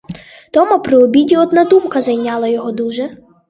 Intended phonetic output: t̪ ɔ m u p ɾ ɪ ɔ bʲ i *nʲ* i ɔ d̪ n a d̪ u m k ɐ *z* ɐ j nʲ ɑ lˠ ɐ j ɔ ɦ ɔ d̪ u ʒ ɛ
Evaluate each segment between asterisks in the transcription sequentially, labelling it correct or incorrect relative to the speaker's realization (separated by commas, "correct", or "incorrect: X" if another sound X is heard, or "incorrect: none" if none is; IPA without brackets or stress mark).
incorrect: dʲ, correct